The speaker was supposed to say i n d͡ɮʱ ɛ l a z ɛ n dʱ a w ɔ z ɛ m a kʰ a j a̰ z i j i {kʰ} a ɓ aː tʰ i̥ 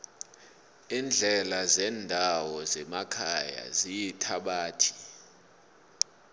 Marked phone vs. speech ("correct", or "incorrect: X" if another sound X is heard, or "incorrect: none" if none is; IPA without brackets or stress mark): incorrect: tʰ